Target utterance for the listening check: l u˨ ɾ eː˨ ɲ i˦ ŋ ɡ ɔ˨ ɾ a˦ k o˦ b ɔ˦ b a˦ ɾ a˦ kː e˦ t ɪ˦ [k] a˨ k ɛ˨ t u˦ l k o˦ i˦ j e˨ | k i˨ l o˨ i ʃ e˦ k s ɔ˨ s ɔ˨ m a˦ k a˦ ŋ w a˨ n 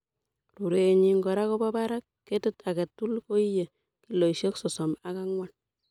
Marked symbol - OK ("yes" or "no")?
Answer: no